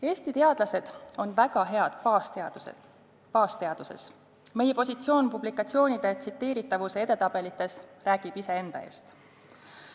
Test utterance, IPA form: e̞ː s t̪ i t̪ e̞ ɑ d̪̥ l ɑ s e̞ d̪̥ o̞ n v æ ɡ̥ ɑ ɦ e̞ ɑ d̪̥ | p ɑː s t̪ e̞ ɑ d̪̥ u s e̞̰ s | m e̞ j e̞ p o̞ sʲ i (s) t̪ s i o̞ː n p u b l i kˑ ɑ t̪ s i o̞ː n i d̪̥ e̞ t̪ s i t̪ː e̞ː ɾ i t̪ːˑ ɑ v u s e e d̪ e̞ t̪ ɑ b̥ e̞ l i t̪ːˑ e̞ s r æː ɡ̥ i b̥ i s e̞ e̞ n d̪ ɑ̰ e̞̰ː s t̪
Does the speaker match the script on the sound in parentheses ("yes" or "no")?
no